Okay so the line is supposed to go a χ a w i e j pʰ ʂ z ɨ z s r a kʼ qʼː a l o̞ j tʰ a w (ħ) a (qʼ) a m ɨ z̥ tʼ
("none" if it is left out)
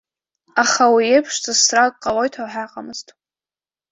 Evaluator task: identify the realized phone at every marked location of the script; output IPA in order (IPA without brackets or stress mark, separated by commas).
ħ, qʼ